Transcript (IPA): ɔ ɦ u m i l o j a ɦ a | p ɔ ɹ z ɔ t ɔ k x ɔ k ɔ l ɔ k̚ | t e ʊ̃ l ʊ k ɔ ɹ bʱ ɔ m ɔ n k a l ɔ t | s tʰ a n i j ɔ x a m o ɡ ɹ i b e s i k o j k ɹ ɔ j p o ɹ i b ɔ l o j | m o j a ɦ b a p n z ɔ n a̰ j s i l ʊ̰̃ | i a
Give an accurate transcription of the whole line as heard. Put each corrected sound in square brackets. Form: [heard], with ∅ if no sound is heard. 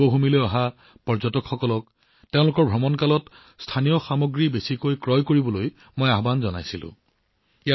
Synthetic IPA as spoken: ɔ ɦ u m i l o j a ɦ a | p ɔ ɹ z ɔ t ɔ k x ɔ k ɔ l ɔ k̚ | t e ʊ̃ l ʊ k ɔ ɹ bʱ ɔ m ɔ n k a l ɔ t | s tʰ a n i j ɔ x a m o ɡ ɹ i b e s i k o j k ɹ ɔ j [k] o ɹ i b ɔ l o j | m o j a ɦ b a [∅] n z ɔ n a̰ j s i l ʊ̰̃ | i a